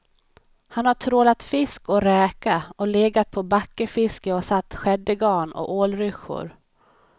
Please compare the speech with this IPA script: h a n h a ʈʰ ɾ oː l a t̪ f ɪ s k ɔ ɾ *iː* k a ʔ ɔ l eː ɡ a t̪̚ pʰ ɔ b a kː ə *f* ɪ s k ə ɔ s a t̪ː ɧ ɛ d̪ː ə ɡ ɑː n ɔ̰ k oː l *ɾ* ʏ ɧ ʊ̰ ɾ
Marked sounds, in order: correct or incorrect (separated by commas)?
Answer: incorrect, correct, correct